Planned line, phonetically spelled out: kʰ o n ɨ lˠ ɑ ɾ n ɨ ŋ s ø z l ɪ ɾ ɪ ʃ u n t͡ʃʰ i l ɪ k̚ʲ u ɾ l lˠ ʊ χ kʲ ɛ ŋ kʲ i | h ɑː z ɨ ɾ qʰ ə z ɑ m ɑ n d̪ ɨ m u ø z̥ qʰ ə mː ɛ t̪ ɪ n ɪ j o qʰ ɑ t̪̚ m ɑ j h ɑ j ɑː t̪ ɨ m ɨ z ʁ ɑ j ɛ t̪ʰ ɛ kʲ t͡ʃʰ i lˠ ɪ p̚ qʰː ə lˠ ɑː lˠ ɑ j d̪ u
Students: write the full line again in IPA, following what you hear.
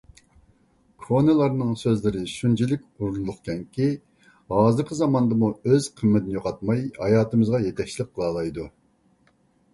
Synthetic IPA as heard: kʰ o n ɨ lˠ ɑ ɾ n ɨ ŋ s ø z l ɪ ɾ ɪ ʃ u n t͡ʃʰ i l ɪ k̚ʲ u ɾ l lˠ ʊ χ kʲ ɛ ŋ kʲ i | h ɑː z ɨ ɾ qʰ ə z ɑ m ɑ n d̪ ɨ m u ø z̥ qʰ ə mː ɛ t̪ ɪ n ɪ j o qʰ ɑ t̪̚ m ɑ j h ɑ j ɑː t̪ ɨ m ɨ z ʁ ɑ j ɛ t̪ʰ ɛ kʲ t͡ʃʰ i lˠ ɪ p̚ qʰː ə lˠ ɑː lˠ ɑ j d̪ u